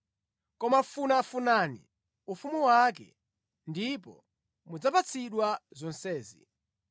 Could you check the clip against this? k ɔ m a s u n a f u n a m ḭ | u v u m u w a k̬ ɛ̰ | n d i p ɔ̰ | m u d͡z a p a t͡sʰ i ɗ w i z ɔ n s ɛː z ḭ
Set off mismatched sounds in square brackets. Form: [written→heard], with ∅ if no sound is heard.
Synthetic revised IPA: k ɔ m a [s→f] u n a f u n a [m→n] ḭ | u [v→f] u m u w a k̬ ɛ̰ | n d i p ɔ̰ | m u d͡z a p a t͡sʰ i ɗ w [i→a] z ɔ n s ɛː z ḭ